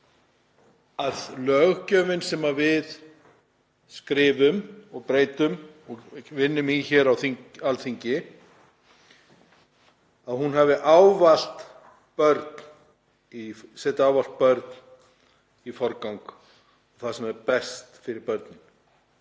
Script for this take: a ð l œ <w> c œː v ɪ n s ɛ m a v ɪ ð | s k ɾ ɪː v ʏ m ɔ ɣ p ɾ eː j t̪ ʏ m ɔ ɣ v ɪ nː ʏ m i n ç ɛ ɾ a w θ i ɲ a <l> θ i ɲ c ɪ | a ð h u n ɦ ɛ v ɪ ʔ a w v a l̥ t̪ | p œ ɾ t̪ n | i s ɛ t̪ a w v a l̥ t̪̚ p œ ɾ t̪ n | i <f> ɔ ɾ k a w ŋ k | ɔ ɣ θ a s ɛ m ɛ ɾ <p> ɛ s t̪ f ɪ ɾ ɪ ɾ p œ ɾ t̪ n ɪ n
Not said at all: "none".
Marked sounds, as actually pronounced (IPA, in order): ɣ, l, f, p

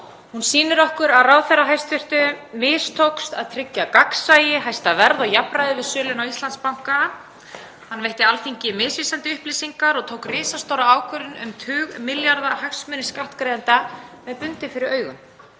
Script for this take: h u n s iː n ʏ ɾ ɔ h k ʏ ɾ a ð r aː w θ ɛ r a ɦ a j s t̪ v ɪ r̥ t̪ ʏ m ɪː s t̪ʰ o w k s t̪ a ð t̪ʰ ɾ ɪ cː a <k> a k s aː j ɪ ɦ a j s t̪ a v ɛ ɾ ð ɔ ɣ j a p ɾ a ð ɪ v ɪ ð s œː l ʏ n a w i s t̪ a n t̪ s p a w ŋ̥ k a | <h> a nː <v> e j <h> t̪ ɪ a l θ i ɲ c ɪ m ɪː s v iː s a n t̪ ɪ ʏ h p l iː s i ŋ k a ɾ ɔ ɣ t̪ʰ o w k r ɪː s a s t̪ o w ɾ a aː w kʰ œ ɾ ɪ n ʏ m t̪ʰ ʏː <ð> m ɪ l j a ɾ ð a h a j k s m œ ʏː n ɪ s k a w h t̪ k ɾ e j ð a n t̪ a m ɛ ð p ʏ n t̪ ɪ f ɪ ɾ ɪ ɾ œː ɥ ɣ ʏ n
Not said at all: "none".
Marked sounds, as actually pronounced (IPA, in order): k, h, v, h, ɣ

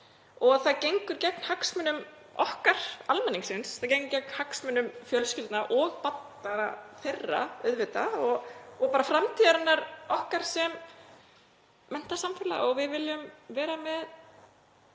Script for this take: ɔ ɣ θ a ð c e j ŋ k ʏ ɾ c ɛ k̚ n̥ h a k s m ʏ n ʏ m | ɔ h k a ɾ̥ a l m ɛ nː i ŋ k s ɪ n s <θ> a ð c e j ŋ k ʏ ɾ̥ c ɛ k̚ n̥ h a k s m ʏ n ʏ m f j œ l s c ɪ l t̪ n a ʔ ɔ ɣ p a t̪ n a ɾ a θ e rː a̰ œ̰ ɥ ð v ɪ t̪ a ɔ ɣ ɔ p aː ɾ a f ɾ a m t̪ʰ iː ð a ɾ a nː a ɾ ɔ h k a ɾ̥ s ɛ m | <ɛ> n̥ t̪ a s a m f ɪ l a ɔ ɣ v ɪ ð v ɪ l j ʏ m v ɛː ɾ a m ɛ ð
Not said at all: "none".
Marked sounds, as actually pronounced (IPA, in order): θ, ɛ

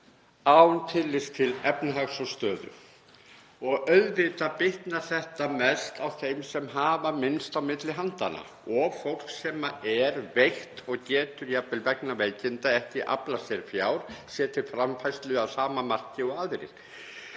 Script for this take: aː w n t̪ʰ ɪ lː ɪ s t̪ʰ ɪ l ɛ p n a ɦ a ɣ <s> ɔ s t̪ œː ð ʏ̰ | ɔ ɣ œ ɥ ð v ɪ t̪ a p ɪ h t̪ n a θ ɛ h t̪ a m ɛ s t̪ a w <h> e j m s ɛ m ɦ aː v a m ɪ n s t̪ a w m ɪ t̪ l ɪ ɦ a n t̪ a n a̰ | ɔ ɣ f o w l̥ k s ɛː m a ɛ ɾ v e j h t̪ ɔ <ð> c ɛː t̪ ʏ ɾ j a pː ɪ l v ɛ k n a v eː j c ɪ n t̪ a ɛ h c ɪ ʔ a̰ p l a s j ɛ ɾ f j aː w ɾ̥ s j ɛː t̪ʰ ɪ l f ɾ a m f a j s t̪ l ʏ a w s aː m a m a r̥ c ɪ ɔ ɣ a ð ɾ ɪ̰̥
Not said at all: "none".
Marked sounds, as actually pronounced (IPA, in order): s, θ, ɣ

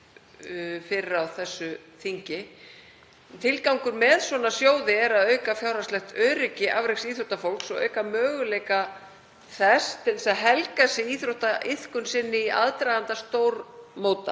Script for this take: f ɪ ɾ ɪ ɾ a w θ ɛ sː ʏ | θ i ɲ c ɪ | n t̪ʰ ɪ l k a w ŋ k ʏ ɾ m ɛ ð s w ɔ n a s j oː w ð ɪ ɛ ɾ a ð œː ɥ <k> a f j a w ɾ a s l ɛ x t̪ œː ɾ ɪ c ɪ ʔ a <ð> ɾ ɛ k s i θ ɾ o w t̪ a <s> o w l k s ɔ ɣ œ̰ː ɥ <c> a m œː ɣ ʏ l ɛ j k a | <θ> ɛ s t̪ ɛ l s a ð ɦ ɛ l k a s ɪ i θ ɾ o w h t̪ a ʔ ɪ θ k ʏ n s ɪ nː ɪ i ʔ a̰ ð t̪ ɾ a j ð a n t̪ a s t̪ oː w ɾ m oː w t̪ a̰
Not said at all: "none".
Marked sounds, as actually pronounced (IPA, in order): k, v, f, k, θ

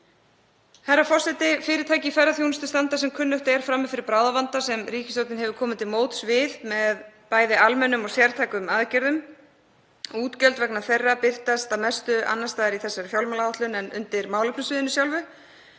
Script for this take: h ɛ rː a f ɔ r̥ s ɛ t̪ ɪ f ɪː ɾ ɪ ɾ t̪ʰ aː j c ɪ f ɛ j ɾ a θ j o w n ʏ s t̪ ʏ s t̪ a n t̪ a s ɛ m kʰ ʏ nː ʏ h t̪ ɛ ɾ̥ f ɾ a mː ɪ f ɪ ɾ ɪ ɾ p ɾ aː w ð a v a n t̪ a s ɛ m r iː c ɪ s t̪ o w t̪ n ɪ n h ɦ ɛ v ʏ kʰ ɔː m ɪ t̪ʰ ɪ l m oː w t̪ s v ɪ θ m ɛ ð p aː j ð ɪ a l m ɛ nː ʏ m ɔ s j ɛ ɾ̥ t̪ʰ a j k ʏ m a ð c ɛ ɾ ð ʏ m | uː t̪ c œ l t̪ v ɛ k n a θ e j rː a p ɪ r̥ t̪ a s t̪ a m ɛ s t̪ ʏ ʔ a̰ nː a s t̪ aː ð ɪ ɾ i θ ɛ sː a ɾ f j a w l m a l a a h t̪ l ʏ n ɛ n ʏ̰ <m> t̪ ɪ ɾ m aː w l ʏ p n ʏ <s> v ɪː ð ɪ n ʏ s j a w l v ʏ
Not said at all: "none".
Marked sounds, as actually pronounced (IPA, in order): n, s

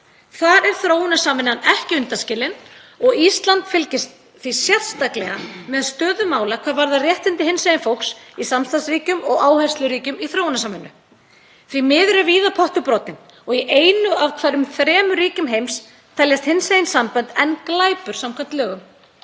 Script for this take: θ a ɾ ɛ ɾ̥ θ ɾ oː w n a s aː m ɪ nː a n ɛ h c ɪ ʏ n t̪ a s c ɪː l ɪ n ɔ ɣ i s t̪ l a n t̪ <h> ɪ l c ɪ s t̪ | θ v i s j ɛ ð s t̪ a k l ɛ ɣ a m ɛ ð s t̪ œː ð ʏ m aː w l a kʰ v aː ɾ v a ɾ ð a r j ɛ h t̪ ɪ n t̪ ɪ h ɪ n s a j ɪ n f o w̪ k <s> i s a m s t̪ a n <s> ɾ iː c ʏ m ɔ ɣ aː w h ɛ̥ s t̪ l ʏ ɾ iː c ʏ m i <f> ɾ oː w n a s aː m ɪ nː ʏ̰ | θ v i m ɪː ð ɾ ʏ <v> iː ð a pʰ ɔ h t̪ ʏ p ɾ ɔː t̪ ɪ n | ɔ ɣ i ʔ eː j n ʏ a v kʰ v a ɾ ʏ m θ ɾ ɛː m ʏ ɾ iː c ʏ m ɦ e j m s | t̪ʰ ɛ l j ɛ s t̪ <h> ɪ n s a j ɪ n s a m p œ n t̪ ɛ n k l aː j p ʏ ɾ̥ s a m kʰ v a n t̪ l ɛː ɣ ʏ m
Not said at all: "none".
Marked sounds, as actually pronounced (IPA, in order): f, s, s, θ, v, h

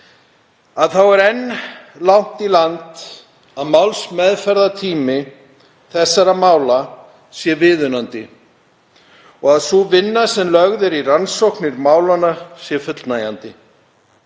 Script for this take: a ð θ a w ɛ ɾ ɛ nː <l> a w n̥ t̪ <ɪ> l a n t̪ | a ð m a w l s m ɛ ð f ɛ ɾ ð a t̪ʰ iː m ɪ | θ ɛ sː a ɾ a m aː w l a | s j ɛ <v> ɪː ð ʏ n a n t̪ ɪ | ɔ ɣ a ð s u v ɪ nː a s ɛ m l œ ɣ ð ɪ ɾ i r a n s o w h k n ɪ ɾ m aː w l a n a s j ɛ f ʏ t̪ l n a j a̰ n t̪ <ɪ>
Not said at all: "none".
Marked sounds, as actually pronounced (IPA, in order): l, i, v, ɪ

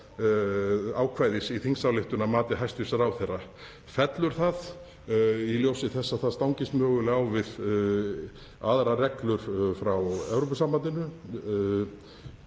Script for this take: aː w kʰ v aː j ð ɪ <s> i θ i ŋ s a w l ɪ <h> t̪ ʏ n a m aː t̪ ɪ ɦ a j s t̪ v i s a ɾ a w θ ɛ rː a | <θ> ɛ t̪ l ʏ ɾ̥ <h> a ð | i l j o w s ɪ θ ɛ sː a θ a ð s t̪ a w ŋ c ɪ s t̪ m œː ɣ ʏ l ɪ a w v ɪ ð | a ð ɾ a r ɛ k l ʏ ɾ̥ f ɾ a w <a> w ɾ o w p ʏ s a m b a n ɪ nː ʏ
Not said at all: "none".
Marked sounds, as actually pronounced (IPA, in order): s, h, f, θ, ɛ

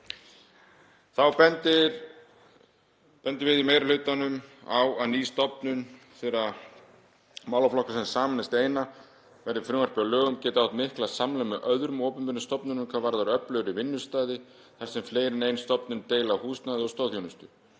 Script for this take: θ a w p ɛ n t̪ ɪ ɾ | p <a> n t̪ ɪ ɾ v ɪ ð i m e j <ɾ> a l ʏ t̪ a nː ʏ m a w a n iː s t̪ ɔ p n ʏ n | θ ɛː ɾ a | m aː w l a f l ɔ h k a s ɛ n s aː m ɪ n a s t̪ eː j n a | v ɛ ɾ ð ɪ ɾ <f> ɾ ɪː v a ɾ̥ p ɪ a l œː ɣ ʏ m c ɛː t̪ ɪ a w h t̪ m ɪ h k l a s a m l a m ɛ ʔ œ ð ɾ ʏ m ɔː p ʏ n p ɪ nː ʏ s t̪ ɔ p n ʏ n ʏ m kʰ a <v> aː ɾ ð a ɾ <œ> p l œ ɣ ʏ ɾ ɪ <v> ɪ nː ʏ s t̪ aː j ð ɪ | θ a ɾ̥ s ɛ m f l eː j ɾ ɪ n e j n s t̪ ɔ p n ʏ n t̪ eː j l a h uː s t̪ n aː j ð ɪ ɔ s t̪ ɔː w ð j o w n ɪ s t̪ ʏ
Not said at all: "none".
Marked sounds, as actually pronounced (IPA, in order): ɛ, ɾ, f, v, œ, v

